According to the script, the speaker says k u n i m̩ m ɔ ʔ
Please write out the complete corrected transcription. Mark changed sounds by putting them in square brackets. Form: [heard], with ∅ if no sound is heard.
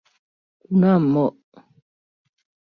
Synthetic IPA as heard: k u n [a] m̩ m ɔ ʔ